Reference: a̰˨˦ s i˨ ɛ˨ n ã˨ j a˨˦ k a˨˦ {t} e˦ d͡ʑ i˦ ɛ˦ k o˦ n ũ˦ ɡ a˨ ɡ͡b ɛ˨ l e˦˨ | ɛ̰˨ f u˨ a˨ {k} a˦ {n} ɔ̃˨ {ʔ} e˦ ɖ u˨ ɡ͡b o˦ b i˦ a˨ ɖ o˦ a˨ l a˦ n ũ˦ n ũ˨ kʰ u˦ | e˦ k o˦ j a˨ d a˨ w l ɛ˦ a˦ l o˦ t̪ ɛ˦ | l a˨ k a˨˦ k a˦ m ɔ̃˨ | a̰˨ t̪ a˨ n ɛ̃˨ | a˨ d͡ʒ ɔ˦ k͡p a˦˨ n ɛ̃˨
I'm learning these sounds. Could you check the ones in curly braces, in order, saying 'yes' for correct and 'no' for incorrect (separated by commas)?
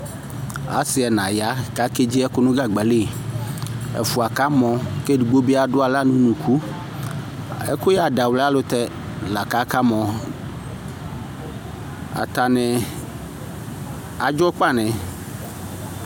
no, yes, no, no